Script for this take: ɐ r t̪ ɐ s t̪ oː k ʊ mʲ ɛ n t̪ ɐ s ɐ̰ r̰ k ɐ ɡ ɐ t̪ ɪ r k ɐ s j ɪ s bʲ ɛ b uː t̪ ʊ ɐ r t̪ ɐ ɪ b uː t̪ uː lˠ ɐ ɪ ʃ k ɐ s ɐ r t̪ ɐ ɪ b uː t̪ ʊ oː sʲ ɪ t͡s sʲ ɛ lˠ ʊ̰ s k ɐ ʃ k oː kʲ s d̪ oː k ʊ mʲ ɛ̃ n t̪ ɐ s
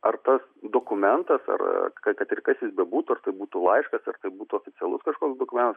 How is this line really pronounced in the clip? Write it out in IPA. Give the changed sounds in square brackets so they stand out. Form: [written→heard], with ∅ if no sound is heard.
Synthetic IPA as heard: ɐ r t̪ ɐ s [t̪→d̪] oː k ʊ mʲ ɛ n t̪ ɐ s ɐ̰ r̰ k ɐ [ɡ→k] ɐ t̪ ɪ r k ɐ s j ɪ s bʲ ɛ b uː t̪ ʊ ɐ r t̪ ɐ ɪ b uː t̪ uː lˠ ɐ ɪ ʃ k ɐ s ɐ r t̪ ɐ ɪ b uː t̪ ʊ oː [sʲ→fʲ] ɪ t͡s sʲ ɛ lˠ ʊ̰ s k ɐ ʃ k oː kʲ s d̪ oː k ʊ mʲ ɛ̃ n t̪ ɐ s